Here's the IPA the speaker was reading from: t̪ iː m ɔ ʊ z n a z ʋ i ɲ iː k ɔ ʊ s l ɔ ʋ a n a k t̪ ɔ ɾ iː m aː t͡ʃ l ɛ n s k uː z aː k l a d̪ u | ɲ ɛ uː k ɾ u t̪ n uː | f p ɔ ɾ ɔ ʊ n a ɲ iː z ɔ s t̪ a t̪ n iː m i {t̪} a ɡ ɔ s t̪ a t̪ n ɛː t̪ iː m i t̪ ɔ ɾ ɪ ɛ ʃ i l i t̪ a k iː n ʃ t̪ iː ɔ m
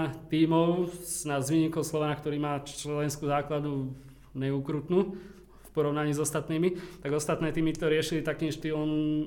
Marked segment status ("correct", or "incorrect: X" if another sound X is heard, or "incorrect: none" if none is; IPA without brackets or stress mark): correct